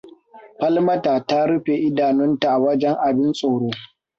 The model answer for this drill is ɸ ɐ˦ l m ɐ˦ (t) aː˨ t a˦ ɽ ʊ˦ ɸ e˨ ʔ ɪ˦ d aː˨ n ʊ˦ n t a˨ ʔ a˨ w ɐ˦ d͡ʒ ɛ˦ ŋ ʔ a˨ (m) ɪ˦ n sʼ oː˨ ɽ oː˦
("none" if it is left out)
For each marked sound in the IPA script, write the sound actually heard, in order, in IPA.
t, b

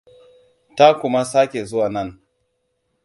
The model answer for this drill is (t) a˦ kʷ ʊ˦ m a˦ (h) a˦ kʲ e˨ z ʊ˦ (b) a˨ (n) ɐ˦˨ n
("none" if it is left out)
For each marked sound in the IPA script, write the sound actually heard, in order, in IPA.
t, s, w, n

